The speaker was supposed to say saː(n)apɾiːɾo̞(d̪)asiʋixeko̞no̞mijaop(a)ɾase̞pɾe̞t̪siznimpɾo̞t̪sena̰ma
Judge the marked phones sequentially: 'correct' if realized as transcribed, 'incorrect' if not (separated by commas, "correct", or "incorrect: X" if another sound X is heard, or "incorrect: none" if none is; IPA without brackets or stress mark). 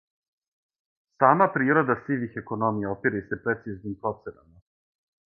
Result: incorrect: m, correct, incorrect: i